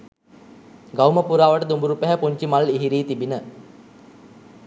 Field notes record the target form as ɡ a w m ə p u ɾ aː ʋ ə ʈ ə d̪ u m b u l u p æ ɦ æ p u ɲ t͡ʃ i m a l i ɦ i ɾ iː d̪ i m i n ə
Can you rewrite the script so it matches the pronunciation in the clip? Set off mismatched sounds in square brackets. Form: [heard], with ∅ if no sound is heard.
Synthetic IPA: ɡ a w m ə p u ɾ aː ʋ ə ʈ ə d̪ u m b u [ɾ] u p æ ɦ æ p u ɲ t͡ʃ i m a l i ɦ i ɾ iː [t̪] i [b] i n ə